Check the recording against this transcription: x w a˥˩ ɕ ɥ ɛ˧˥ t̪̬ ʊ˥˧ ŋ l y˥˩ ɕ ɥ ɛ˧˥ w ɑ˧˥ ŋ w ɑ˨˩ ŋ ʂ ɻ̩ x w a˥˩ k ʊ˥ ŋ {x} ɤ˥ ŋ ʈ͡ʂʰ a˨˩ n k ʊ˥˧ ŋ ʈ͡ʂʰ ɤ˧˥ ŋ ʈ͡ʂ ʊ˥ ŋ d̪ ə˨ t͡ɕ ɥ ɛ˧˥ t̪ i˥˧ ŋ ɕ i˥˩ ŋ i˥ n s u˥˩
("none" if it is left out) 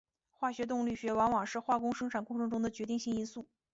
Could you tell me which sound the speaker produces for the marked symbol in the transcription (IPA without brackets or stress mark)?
ʂ